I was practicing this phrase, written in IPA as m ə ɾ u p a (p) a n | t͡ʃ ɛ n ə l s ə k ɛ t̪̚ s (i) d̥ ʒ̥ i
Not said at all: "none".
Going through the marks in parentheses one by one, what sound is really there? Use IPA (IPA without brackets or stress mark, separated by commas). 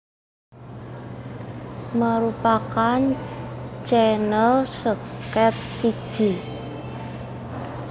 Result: k, i